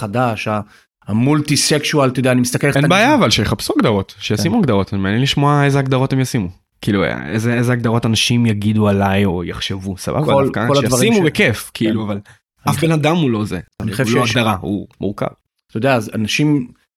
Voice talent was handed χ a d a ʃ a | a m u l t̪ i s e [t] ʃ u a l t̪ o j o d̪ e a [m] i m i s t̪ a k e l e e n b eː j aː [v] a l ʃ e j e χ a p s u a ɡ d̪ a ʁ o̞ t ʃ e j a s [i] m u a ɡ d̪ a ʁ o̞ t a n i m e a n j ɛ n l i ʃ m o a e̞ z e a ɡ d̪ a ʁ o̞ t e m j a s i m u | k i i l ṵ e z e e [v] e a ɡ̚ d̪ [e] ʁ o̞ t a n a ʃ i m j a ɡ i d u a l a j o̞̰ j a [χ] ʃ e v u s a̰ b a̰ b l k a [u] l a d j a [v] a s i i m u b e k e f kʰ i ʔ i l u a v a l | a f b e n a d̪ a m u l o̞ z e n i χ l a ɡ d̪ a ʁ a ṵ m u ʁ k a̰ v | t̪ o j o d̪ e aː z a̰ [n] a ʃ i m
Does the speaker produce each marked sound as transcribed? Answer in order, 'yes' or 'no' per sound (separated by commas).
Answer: no, no, yes, yes, no, no, yes, no, yes, yes